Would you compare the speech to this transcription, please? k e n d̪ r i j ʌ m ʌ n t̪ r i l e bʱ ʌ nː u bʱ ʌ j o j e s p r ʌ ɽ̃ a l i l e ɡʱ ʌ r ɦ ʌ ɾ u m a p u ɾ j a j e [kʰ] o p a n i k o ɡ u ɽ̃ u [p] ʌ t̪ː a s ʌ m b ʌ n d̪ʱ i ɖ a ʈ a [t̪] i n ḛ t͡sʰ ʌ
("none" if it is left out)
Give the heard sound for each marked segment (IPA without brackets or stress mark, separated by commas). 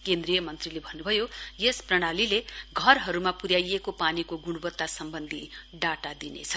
k, b, d̪